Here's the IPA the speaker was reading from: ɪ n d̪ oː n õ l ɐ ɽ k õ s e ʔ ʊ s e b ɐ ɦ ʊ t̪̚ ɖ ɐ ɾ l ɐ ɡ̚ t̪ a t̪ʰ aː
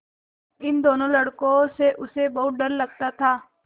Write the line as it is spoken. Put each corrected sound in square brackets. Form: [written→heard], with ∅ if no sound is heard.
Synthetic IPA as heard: ɪ n d̪ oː n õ l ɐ ɽ k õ s e ʔ ʊ s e b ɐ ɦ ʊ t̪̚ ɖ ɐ ɾ l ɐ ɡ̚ t̪ a t̪ʰ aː